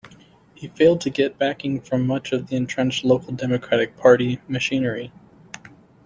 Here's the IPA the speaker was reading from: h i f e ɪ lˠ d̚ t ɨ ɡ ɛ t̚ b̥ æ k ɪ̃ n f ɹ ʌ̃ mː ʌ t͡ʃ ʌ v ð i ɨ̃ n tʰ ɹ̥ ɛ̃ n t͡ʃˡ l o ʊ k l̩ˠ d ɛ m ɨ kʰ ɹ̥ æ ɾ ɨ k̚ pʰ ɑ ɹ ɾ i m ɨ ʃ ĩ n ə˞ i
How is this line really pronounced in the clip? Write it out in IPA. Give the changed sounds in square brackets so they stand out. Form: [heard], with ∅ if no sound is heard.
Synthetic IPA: h i f e ɪ lˠ d̚ [tʰ] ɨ ɡ ɛ t̚ b̥ æ k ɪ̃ [ŋ] f ɹ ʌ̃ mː ʌ t͡ʃ ʌ v ð i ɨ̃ n tʰ ɹ̥ ɛ̃ n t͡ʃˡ l o ʊ k l̩ˠ d ɛ m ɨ kʰ ɹ̥ æ ɾ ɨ k̚ pʰ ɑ ɹ ɾ i m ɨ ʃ ĩ n ə˞ i